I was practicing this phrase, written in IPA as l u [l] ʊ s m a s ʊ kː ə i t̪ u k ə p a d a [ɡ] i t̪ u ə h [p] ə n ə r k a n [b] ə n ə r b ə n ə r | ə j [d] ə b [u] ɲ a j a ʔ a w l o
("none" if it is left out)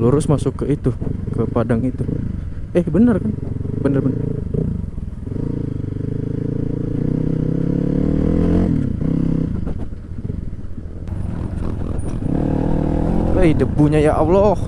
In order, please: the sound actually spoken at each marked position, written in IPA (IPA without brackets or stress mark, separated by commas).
ɾ, ŋ, b, b, d, u